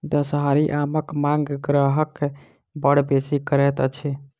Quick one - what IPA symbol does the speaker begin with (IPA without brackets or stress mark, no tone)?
d̪